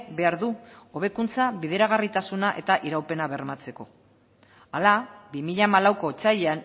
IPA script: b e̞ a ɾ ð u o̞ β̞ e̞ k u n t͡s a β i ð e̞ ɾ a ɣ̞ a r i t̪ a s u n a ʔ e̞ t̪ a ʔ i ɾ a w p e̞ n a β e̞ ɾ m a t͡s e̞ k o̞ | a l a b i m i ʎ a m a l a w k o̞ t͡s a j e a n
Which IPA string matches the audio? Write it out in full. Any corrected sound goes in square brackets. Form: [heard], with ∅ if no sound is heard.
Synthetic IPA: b e̞ a ɾ ð u o̞ β̞ e̞ k u n t͡s a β i ð e̞ ɾ a ɣ̞ a r i t̪ a s u n a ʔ e̞ t̪ a ʔ i ɾ a w p e̞ n a β e̞ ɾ m a t͡s e̞ k o̞ | a l a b i m i ʎ a m a l a w k o̞ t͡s a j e a n